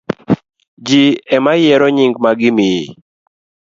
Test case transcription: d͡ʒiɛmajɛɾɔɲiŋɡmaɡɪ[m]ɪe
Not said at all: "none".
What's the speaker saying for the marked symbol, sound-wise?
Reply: m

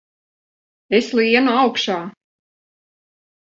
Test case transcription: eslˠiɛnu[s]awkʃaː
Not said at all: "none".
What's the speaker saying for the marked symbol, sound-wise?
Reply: none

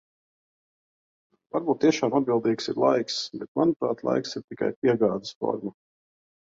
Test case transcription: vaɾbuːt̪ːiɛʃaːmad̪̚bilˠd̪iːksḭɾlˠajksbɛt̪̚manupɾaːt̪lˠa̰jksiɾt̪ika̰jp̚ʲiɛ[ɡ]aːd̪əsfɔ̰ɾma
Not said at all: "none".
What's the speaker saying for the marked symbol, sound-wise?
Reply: ɡ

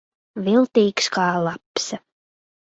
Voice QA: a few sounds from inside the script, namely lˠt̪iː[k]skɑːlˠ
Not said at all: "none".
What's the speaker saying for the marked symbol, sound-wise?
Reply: k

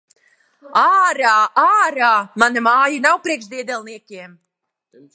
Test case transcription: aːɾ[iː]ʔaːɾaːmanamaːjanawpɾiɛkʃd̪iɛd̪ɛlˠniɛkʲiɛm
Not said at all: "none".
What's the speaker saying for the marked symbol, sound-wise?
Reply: aː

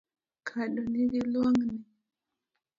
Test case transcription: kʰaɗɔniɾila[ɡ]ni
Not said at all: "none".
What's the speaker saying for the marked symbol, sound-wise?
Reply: ŋ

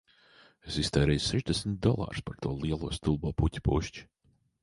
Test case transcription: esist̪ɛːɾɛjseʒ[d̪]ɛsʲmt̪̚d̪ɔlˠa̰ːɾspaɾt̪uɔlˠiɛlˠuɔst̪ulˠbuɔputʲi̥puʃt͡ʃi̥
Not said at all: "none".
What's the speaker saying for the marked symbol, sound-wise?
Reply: d̪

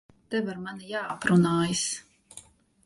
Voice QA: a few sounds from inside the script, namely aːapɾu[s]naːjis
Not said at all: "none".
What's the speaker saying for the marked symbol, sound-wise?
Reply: none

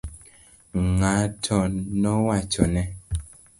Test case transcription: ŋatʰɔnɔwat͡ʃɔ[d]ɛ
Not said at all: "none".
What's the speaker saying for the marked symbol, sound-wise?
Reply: n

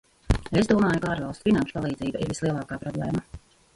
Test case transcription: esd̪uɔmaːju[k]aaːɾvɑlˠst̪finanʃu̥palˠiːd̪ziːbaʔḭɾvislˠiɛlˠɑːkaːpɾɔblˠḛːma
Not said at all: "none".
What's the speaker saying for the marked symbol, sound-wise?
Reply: k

